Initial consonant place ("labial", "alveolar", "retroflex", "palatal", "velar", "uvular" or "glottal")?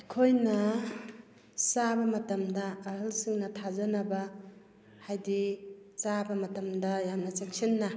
velar